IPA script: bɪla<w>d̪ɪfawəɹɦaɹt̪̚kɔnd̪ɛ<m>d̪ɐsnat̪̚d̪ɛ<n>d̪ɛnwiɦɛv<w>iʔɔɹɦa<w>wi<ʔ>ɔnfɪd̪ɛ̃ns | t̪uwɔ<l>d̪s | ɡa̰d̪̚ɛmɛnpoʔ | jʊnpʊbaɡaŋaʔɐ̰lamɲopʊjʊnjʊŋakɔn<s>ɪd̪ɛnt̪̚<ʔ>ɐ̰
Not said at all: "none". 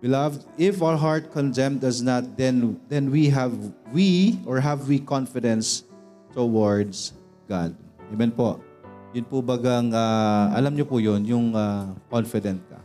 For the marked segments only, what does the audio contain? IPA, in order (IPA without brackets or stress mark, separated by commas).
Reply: v, m, n, w, v, k, ɹ, f, k